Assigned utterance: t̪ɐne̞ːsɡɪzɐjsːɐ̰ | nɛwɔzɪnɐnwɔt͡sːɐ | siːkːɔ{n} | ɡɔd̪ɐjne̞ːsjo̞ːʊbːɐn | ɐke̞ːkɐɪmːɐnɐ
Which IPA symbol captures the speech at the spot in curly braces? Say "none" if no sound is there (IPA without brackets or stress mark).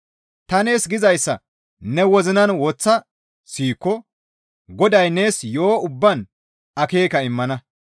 none